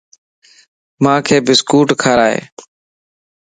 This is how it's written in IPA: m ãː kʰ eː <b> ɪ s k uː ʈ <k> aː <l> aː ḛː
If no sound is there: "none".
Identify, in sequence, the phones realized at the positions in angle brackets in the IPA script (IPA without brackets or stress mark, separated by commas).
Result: b, kʰ, ɾ